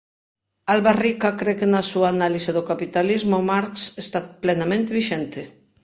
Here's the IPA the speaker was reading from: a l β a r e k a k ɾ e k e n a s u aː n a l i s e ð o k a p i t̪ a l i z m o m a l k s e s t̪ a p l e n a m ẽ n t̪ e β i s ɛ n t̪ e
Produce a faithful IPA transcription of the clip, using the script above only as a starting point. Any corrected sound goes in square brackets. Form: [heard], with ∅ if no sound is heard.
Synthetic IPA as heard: a l β a r [i] k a k ɾ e k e n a s u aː n a l i s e ð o k a p i t̪ a l i z m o m a [ɾ] k s e s t̪ a p l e n a m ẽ n t̪ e β i [ʃ] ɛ n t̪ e